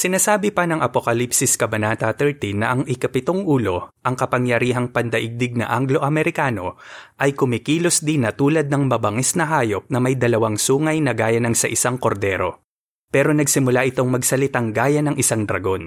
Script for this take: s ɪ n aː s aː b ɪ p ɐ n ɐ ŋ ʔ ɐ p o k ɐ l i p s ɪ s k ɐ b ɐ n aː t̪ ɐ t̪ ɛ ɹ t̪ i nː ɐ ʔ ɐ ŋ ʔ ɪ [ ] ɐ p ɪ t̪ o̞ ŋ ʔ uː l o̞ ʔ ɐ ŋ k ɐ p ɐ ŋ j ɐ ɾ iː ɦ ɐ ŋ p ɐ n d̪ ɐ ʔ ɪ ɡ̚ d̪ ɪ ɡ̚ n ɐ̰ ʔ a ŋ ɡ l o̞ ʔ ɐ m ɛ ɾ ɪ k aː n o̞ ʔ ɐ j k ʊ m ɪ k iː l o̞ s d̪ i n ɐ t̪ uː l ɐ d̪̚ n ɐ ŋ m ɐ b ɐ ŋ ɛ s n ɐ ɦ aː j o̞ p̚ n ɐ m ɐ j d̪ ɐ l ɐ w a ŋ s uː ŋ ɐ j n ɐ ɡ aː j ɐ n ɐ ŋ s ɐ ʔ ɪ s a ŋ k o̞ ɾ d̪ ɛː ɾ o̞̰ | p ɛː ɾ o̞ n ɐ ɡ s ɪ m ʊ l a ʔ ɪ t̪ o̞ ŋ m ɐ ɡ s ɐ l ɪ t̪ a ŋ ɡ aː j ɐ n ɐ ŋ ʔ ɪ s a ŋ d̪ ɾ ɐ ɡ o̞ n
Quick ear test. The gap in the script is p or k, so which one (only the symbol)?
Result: k